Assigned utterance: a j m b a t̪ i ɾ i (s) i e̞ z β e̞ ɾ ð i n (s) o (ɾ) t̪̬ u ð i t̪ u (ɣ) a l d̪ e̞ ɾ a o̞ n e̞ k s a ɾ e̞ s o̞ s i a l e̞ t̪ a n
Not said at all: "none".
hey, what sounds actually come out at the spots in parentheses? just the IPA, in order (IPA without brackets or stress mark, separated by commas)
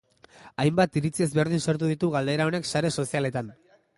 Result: t͡s, s, ɾ, ɣ